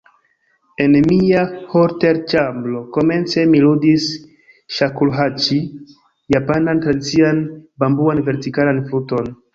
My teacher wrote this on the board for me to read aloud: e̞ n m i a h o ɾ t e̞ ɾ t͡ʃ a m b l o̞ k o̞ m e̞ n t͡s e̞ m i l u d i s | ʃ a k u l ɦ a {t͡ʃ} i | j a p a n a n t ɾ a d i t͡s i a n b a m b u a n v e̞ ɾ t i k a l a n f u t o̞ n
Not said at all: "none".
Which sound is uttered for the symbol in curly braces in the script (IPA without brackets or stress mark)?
t͡ʃ